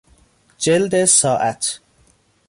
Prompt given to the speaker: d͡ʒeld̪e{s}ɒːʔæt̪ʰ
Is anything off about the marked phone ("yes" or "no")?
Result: no